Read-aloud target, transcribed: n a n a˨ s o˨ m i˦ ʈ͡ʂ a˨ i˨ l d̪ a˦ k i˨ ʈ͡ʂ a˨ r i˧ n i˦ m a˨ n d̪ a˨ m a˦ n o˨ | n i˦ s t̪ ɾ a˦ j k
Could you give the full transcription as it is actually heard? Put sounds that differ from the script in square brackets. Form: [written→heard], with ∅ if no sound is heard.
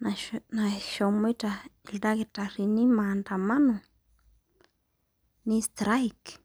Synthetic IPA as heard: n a n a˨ [s→ʃ] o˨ m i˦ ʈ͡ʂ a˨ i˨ l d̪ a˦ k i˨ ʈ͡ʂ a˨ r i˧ n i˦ m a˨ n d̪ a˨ m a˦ n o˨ | n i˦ s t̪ ɾ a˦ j k

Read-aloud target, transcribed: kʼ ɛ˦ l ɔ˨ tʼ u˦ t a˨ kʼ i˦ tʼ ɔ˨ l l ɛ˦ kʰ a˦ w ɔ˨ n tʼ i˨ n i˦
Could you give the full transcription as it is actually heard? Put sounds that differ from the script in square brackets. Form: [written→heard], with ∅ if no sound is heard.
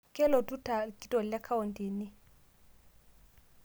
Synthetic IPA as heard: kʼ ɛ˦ l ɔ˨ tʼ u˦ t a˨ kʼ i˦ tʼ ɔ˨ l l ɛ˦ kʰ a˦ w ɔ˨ n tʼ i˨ n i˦

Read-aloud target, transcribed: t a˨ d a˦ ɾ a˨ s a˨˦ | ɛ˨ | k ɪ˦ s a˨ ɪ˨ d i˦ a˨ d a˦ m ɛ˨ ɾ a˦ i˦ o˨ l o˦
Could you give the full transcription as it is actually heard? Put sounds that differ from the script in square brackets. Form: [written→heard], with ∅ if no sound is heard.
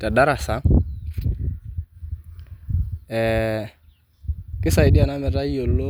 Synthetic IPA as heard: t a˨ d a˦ ɾ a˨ s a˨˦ | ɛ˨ | k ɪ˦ s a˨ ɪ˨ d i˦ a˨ [d→n] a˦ m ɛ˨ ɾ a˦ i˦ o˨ l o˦

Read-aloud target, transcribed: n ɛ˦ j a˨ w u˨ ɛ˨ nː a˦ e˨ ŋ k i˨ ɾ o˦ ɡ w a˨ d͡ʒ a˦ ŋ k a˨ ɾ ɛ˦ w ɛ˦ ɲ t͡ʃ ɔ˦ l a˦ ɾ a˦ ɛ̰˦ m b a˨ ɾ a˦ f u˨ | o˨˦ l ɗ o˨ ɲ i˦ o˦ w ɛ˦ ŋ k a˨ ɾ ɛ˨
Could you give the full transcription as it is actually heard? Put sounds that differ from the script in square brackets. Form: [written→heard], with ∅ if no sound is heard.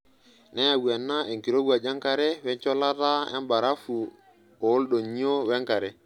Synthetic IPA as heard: n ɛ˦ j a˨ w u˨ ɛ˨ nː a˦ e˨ ŋ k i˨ ɾ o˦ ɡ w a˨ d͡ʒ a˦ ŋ k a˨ ɾ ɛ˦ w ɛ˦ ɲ t͡ʃ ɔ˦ l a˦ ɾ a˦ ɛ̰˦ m b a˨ ɾ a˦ f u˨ | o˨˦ l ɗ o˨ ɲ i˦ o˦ w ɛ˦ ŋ k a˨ ɾ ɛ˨

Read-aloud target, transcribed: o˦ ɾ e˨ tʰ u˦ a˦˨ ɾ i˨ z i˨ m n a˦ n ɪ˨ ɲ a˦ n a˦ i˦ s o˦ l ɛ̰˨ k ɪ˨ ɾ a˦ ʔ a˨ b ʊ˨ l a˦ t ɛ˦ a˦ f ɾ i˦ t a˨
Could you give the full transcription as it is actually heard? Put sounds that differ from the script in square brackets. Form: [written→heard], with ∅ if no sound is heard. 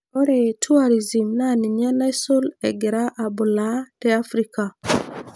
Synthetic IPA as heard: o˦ ɾ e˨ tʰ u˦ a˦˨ ɾ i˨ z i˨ m n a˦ n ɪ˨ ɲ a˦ n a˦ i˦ s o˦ l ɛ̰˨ [k→ɡ] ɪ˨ ɾ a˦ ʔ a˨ b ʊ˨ l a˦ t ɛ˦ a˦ f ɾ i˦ [t→k] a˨

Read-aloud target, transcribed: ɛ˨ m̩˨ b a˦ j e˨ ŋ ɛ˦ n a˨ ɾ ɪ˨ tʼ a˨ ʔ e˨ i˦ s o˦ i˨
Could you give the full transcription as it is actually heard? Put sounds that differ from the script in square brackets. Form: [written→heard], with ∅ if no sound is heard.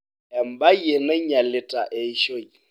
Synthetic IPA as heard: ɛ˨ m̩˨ b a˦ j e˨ [ŋ→n] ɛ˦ [n→ɲ] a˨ [ɾ→l] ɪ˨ tʼ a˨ ʔ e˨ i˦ [s→ʃ] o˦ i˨

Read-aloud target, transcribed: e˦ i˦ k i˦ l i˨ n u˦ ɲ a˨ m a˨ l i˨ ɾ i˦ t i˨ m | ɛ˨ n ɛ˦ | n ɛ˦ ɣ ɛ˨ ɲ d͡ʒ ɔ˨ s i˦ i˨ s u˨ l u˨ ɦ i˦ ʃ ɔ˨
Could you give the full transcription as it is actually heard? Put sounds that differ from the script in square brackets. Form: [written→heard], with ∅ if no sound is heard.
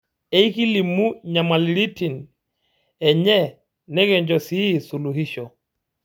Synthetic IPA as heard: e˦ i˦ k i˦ l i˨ [n→m] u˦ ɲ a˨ m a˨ l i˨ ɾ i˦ t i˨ [m→n] | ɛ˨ [n→ɲ] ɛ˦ | n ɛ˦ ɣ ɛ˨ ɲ d͡ʒ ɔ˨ s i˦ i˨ s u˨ l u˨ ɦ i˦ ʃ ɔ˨

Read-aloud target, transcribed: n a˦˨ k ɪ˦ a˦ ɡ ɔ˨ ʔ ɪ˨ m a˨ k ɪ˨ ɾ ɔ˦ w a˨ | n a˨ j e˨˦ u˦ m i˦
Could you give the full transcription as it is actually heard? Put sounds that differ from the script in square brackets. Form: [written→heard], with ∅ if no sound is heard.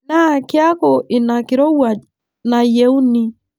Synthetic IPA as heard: n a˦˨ k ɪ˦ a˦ [ɡ→k] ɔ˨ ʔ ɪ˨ [m→n] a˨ k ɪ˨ ɾ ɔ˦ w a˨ | n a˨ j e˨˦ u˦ [m→n] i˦

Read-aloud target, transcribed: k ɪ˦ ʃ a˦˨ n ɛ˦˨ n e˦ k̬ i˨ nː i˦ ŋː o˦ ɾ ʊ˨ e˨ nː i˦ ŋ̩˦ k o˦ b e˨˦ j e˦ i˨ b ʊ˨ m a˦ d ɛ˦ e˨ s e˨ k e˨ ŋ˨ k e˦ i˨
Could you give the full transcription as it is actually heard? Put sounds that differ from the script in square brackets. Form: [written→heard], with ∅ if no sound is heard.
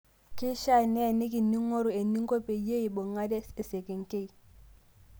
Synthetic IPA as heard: k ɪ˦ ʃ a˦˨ n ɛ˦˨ n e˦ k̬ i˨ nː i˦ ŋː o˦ ɾ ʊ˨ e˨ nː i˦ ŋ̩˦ k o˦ [b→p] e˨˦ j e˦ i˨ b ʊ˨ [m→ŋ] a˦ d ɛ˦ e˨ s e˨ k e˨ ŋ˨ k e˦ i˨

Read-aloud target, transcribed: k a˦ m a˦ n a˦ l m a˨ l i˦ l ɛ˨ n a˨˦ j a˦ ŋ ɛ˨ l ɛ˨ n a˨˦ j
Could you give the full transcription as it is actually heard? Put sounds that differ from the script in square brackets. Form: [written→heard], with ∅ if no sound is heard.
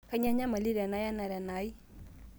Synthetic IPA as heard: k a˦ [m→ɲ] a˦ [n→ɲ] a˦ [l→∅] m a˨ l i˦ [l→ɾ] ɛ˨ n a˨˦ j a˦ [ŋ→n] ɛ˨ [l→ɾ] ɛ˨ n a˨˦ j

